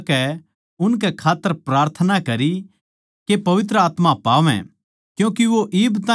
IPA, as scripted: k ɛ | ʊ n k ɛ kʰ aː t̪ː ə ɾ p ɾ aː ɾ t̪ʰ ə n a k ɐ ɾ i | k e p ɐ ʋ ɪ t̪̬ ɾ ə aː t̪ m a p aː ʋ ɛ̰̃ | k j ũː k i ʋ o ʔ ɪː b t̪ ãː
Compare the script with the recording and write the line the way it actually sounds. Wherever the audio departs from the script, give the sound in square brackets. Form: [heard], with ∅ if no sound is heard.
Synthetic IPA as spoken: k ɛ | ʊ n k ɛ kʰ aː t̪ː ə ɾ p ɾ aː ɾ t̪ʰ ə n a k ɐ ɾ i | k e p ɐ ʋ ɪ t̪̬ ɾ ə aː t̪ m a p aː ʋ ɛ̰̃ | k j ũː k i ʋ o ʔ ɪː b t̪ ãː